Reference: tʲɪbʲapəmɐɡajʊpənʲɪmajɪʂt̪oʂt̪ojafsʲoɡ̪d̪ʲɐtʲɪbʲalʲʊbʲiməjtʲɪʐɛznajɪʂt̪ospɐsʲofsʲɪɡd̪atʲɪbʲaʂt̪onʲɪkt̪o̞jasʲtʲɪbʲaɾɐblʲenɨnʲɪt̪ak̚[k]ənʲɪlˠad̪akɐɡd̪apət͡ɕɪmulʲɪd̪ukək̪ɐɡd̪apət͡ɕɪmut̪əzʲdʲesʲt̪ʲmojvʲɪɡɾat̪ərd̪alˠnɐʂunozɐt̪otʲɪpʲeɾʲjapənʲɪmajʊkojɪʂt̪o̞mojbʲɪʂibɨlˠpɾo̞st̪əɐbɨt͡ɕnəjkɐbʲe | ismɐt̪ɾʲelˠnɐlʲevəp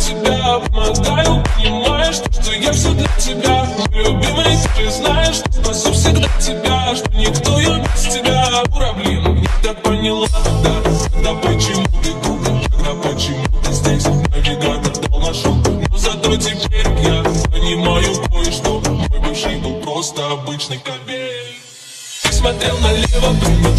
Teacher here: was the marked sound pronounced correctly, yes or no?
no